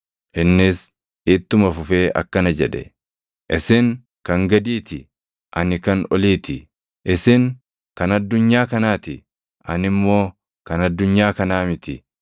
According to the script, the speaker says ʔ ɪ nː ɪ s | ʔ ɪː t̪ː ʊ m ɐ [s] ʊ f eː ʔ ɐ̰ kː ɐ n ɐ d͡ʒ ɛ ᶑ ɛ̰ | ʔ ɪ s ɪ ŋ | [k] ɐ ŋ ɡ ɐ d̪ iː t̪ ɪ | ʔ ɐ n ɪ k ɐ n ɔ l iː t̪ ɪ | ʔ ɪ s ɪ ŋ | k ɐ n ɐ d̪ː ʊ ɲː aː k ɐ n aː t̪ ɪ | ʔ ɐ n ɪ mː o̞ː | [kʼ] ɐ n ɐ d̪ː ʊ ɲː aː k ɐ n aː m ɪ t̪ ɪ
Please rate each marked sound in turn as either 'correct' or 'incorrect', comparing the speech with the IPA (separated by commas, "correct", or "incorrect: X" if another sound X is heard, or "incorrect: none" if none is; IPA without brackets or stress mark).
incorrect: f, correct, incorrect: k